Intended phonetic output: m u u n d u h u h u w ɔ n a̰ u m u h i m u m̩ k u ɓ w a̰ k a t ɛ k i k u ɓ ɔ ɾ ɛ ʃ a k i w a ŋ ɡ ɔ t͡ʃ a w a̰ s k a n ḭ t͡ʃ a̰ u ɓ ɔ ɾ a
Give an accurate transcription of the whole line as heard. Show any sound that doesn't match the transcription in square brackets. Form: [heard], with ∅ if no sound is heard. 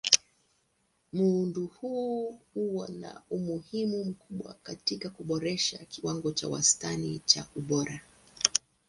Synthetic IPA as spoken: m u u n d u h u h u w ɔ n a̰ u m u h i m u m̩ k u ɓ w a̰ k a t [i] k [a] k u ɓ ɔ ɾ ɛ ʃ a k i w a ŋ ɡ ɔ t͡ʃ a w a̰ s [t] a n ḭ t͡ʃ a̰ u ɓ ɔ ɾ a